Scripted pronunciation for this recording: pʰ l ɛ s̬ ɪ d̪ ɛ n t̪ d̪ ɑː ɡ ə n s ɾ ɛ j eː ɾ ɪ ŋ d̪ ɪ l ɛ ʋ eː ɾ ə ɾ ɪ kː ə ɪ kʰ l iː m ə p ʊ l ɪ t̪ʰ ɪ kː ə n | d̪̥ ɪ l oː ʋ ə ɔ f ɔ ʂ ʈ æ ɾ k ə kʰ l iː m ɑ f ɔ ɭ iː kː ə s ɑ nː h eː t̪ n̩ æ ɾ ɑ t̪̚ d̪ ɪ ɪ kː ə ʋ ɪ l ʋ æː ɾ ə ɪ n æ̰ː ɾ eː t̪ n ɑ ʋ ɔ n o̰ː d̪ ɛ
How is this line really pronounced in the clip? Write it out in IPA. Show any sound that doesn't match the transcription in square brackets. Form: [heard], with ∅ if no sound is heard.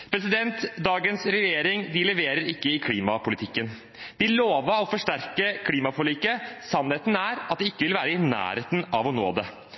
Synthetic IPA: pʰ [ɾ] ɛ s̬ ɪ d̪ ɛ n t̪ d̪ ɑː ɡ ə n s ɾ ɛ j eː ɾ ɪ ŋ d̪ ɪ l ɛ ʋ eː ɾ ə ɾ ɪ kː ə ɪ kʰ l iː m [ɑ] p ʊ l ɪ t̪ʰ ɪ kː ə n | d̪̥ ɪ l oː ʋ ə ɔ f ɔ ʂ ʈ æ ɾ k ə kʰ l iː m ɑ f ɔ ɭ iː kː ə s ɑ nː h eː t̪ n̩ æ ɾ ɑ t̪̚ d̪ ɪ ɪ kː ə ʋ ɪ l ʋ æː ɾ ə ɪ n æ̰ː ɾ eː t̪ n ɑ ʋ ɔ n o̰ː d̪ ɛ